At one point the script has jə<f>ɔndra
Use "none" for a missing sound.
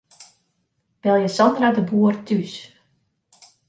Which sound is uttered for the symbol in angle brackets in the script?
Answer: s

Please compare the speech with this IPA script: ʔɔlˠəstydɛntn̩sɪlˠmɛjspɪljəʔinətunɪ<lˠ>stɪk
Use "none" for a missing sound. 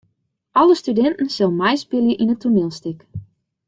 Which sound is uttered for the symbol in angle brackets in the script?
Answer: lˠ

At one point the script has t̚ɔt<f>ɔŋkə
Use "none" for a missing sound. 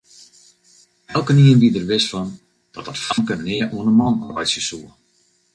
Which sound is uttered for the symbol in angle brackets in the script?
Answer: f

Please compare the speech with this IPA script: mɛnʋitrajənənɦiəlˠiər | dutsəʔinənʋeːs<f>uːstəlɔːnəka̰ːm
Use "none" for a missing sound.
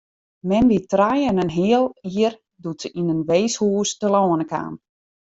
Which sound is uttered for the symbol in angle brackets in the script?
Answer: h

